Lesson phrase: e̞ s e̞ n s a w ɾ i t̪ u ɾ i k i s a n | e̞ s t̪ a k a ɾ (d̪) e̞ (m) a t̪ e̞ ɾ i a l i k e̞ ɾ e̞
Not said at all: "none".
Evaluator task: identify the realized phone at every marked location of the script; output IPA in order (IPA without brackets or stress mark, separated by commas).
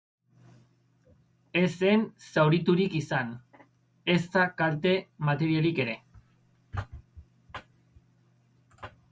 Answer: t̪, m